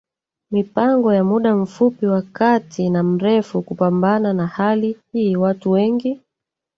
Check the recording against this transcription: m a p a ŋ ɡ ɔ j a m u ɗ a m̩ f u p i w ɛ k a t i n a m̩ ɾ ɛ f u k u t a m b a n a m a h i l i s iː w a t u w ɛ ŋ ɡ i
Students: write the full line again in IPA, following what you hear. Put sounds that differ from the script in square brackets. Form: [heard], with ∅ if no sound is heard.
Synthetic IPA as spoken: m [i] p a ŋ ɡ ɔ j a m u ɗ a m̩ f u p i w [a] k a t i n a m̩ ɾ ɛ f u k u [p] a m b a n a [n] a h [a] l i [h] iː w a t u w ɛ ŋ ɡ i